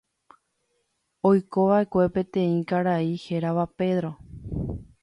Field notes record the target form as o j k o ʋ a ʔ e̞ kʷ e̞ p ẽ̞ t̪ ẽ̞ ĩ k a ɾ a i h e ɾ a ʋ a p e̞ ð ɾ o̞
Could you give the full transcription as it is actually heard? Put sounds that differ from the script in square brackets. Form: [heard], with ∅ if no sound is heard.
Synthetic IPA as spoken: o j k o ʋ a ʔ e̞ kʷ e̞ p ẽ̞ t̪ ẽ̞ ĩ k a ɾ a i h e ɾ a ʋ a p e̞ ð ɾ o̞